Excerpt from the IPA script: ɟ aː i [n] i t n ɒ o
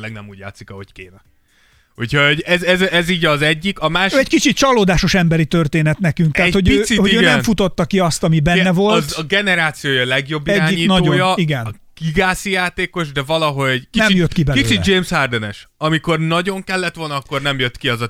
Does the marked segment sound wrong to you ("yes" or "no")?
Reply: yes